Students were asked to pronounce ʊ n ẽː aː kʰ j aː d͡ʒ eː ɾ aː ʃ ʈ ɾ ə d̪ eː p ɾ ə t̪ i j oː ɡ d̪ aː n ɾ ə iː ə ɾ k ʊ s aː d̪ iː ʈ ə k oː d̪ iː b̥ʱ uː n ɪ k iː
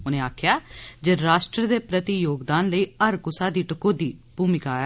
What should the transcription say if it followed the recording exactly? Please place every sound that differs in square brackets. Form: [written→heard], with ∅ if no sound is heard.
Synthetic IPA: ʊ n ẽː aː kʰ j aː d͡ʒ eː ɾ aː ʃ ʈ ɾ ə d̪ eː p ɾ ə t̪ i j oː ɡ d̪ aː n [ɾ→l] ə iː ə ɾ k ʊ s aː d̪ iː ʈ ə k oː d̪ iː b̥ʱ uː [n→m] ɪ k [iː→aː]